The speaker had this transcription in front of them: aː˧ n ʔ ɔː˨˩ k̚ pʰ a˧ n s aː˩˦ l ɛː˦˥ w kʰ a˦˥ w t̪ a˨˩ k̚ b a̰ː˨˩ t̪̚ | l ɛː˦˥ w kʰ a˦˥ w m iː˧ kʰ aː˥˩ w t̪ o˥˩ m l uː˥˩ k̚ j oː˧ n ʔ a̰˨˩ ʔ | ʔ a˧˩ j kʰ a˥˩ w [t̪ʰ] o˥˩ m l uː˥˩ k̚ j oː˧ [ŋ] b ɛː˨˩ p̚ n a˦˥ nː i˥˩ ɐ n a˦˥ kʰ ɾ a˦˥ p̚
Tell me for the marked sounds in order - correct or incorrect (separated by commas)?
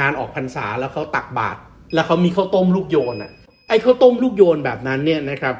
incorrect, incorrect